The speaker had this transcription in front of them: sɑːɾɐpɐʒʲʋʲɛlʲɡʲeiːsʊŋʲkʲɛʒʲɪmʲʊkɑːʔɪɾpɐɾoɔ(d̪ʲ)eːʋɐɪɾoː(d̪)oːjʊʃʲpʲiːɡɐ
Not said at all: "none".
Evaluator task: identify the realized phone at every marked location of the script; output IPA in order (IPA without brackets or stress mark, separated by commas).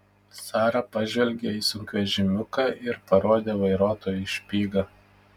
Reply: d̪ʲ, t̪